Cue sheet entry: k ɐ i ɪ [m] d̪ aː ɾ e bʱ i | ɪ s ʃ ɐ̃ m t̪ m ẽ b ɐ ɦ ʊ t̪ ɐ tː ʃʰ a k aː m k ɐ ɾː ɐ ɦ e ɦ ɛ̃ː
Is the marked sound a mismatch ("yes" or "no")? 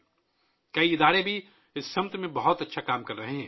yes